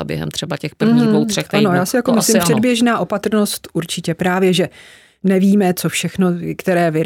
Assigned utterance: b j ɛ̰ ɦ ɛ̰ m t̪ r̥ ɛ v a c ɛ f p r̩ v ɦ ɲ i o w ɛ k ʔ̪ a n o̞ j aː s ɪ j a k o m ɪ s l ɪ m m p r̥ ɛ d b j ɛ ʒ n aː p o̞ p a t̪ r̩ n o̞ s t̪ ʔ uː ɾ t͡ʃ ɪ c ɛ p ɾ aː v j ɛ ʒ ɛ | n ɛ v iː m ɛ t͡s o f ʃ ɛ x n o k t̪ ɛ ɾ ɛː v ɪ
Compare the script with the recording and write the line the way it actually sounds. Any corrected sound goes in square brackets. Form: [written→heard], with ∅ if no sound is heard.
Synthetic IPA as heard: b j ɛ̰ ɦ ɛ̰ m t̪ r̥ ɛ [v→b] a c ɛ [f→x] p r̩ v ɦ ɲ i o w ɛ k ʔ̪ a n o̞ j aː s ɪ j a k o m ɪ s l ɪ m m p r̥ ɛ d b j ɛ ʒ n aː [p→ʔ] o̞ p a t̪ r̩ n o̞ s t̪ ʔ [uː→u] ɾ t͡ʃ ɪ c ɛ p ɾ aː v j ɛ ʒ ɛ | n ɛ v iː m ɛ t͡s o f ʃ ɛ x n o k t̪ ɛ ɾ ɛː v ɪ